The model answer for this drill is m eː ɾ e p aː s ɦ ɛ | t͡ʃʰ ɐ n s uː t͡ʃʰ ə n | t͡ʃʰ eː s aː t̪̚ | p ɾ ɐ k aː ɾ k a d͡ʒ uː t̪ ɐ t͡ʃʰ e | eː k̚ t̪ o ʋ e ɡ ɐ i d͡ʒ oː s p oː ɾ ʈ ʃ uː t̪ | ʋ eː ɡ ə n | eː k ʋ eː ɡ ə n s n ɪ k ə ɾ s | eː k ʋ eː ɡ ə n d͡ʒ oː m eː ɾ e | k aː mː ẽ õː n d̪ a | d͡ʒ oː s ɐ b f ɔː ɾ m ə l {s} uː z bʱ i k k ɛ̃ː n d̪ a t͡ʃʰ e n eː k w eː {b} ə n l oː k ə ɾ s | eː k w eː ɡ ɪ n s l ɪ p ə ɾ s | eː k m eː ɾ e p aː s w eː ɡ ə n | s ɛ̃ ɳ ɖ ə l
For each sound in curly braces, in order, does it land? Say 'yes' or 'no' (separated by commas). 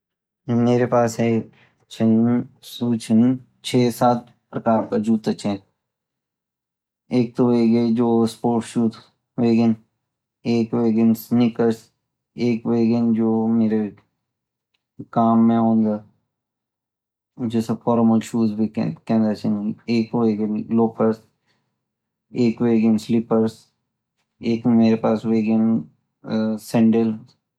no, no